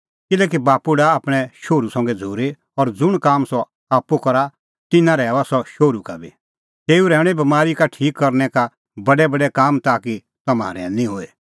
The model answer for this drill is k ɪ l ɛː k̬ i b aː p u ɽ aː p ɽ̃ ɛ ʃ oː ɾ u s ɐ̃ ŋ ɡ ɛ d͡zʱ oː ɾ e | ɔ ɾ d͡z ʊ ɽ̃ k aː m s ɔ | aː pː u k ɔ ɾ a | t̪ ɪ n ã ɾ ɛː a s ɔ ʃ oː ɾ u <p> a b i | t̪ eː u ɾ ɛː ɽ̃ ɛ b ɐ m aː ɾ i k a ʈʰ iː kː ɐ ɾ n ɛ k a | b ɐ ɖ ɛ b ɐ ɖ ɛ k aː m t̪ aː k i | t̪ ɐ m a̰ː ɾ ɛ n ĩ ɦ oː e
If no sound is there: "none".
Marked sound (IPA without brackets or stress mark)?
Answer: k